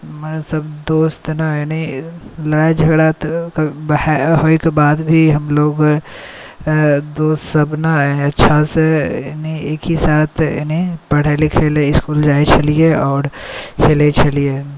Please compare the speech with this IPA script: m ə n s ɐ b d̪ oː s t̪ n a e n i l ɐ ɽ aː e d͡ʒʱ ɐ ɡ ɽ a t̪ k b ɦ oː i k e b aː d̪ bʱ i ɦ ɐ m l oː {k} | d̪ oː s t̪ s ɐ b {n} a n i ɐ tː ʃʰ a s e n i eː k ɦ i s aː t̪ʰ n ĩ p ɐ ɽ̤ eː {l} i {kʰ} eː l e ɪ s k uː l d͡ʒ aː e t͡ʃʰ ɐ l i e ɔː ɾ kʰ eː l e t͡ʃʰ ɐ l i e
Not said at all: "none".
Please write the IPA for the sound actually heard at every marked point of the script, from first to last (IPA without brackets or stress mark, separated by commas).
ɡ, n, l, kʰ